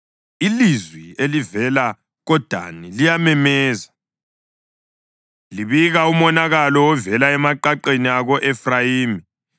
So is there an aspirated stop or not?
no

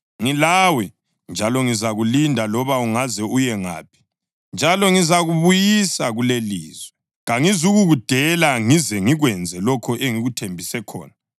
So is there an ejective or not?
no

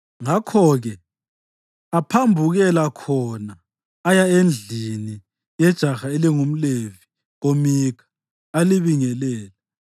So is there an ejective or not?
no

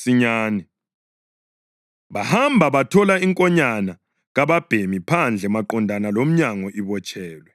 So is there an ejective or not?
yes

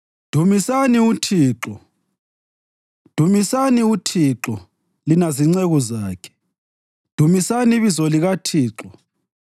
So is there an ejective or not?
no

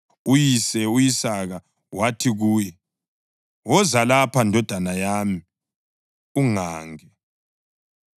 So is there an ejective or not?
no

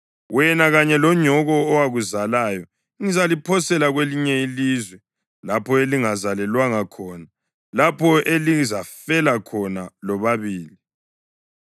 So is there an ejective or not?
no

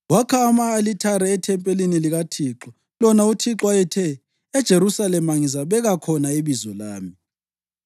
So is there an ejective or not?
yes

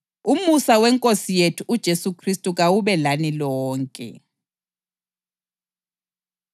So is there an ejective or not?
yes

